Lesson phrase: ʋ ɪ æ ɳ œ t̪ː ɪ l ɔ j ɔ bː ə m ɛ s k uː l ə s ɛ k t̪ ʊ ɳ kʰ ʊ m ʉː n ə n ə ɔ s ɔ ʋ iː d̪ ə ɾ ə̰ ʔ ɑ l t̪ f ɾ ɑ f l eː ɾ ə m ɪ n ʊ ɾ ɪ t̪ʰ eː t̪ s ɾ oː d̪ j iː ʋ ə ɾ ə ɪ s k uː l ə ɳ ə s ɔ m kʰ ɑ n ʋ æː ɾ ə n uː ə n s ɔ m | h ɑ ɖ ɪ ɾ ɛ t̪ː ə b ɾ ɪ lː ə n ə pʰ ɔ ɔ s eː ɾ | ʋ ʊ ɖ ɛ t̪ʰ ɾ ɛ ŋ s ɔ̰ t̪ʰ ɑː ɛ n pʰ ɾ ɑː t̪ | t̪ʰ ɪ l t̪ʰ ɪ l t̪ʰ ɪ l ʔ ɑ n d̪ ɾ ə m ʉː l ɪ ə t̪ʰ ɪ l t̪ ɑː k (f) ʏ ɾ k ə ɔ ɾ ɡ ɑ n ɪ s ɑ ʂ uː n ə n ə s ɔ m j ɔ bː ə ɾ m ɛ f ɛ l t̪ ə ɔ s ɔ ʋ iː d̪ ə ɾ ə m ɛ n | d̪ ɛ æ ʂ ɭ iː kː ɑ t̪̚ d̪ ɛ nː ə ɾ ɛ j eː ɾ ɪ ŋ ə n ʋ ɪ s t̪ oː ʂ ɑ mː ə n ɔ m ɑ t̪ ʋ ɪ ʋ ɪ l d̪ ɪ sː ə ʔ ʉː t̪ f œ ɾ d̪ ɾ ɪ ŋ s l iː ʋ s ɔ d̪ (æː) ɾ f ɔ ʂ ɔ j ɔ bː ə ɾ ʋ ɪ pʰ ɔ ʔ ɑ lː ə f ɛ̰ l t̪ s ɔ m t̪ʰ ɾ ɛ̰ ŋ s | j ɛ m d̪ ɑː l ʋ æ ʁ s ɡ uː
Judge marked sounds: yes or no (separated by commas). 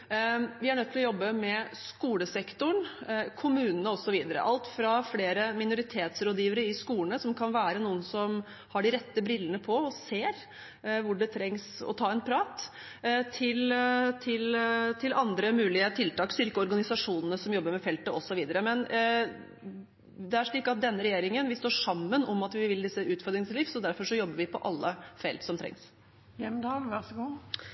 no, no